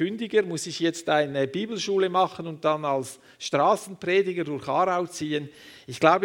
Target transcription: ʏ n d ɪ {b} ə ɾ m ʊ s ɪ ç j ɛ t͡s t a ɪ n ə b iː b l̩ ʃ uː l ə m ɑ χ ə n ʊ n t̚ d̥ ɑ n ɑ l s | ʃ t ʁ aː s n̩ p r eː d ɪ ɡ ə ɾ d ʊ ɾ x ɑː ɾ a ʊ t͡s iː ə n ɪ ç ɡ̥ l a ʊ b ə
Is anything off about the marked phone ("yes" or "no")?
yes